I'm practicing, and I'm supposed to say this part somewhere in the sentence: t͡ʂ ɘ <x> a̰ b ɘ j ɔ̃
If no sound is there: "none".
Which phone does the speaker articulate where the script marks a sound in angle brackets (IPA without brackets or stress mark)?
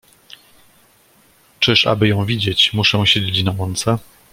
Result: ʂ